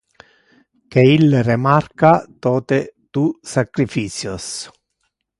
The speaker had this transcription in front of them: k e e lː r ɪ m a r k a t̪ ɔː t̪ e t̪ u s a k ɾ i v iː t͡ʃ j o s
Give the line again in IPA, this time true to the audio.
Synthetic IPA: k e i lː r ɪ m a r k a t̪ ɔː t̪ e t̪ u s a k ɾ i f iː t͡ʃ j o s